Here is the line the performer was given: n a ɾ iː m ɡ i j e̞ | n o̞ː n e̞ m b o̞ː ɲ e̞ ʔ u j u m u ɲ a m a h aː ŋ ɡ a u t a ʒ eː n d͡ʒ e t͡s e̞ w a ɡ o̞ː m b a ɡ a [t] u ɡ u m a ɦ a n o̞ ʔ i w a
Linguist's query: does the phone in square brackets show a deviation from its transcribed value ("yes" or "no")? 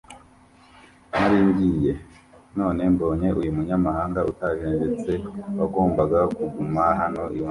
yes